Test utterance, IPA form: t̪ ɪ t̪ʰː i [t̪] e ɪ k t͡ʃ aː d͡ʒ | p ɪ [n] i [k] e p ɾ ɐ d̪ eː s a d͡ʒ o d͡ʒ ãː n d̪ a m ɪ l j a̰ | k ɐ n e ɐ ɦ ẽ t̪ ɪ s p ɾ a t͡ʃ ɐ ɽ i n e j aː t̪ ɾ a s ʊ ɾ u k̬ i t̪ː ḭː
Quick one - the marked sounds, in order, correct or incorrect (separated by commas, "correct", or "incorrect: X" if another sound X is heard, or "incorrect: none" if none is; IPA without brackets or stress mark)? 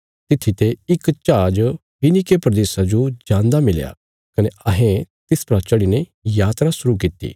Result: correct, correct, correct